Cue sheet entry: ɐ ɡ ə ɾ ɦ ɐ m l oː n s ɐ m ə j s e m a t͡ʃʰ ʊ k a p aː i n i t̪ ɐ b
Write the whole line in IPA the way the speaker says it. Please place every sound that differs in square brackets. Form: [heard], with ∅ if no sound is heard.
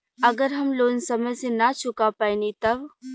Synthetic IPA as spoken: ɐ ɡ ə ɾ ɦ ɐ m l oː n s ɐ m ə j s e [n] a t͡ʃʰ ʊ k a p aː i n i t̪ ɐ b